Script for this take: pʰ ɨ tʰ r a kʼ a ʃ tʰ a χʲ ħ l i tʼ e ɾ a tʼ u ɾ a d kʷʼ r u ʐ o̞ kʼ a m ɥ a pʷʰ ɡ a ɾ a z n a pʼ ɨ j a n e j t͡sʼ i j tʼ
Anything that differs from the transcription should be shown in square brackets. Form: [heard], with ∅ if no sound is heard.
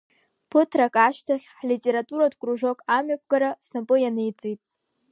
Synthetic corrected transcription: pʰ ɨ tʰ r a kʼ a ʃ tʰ a χʲ ħ l i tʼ e ɾ a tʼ u ɾ a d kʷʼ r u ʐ o̞ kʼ a m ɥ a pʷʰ ɡ a ɾ a [s] n a pʼ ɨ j a n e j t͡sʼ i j tʼ